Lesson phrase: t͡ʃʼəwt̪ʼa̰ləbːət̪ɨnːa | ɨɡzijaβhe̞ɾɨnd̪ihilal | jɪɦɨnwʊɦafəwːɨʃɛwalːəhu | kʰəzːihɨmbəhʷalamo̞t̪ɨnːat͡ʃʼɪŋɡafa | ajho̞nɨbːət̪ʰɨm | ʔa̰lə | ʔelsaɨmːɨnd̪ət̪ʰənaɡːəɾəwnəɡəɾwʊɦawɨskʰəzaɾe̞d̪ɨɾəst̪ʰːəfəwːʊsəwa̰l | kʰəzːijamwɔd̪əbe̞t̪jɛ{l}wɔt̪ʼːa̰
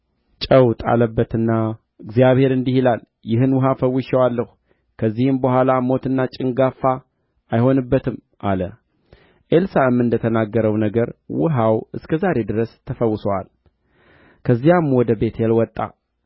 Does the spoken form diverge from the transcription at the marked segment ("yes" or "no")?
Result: no